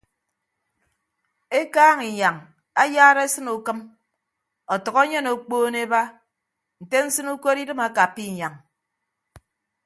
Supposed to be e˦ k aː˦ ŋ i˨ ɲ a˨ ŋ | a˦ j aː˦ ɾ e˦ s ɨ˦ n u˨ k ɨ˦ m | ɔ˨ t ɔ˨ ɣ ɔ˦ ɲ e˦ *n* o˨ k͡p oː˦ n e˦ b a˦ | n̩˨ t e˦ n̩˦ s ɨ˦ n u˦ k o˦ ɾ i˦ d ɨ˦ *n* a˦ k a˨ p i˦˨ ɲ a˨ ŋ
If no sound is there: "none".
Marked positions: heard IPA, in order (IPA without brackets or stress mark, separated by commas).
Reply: n, m